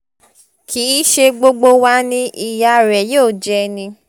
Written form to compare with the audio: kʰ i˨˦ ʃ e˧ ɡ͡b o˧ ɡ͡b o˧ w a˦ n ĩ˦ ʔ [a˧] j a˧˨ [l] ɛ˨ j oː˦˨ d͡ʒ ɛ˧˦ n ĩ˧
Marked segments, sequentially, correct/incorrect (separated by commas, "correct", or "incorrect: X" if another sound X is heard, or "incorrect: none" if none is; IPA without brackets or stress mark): incorrect: i˧, incorrect: ɾ